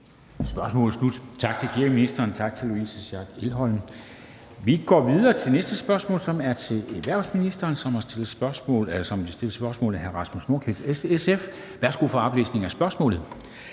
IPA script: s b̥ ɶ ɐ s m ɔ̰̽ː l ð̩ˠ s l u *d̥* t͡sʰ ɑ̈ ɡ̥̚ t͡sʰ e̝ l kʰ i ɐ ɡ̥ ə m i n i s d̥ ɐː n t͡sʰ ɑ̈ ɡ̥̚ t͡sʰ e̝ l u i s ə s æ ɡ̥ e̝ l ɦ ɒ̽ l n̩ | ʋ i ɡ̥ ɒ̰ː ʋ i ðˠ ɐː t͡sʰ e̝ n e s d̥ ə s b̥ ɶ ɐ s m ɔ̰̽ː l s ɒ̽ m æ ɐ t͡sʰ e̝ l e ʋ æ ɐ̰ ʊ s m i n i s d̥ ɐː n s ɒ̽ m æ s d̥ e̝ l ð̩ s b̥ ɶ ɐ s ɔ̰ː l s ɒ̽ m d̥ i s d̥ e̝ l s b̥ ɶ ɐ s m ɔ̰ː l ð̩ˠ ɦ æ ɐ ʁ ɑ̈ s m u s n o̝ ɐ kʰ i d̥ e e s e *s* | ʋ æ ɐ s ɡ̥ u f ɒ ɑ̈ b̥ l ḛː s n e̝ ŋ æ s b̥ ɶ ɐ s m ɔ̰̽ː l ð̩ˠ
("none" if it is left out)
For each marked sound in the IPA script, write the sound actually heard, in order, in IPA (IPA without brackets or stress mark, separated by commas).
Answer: d̥, f